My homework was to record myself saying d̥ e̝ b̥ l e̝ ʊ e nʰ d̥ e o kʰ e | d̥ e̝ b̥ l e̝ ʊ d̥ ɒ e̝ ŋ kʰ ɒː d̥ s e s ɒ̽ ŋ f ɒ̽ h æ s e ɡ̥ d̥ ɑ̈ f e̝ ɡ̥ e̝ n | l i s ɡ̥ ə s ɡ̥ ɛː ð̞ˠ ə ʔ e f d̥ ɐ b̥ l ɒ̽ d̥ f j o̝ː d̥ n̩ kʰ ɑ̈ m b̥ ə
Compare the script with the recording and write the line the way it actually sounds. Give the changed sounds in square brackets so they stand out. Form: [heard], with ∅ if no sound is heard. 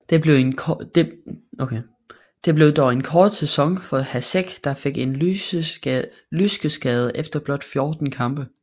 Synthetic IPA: d̥ e̝ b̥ l e̝ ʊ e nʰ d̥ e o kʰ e | d̥ e̝ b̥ l e̝ ʊ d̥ ɒ e̝ [n] kʰ ɒː d̥ s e s ɒ̽ ŋ f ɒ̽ h æ s e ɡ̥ d̥ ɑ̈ f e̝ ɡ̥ e̝ n | l [y] s ɡ̥ ə s ɡ̥ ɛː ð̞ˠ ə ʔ e f d̥ ɐ b̥ l ɒ̽ d̥ f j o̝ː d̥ n̩ kʰ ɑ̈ m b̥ ə